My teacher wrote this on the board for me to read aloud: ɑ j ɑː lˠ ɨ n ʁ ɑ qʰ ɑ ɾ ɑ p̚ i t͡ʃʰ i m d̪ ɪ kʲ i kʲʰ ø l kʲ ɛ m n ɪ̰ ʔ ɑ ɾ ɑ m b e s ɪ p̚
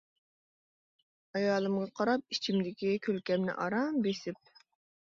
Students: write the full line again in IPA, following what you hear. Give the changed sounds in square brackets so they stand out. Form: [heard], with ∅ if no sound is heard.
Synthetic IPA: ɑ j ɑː lˠ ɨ [m] ʁ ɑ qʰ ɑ ɾ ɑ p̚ i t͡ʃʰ i m d̪ ɪ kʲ i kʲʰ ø l kʲ ɛ m n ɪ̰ ʔ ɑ ɾ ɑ m b e s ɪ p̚